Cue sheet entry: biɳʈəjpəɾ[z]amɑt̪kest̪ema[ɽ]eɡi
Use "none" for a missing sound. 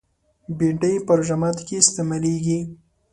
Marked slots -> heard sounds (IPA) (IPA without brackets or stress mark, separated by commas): ʒ, l